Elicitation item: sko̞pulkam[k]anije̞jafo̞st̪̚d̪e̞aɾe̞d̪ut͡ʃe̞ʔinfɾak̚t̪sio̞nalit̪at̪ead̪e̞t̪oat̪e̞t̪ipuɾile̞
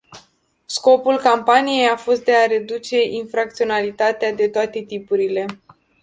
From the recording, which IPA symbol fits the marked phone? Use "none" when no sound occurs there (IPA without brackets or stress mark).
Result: p